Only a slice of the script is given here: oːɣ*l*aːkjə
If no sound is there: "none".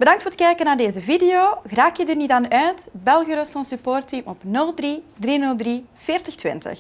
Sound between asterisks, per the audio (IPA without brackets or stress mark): r